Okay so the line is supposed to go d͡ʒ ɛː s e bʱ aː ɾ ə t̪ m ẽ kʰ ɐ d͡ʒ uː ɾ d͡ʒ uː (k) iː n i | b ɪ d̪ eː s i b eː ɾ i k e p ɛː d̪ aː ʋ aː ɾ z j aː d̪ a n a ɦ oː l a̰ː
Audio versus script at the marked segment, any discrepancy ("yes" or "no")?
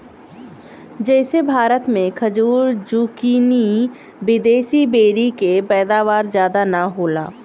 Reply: no